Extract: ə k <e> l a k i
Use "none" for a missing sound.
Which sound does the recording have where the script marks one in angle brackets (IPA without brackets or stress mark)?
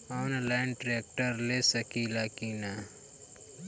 i